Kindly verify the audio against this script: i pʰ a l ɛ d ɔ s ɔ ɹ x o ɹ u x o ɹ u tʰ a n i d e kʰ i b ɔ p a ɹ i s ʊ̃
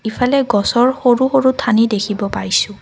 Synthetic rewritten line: i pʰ a l ɛ ɡ ɔ s ɔ ɹ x o ɹ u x o ɹ u tʰ a n i d e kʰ i b ɔ p a ɹ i s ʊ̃